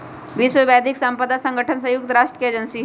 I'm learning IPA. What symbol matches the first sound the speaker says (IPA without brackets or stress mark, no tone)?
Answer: ʋ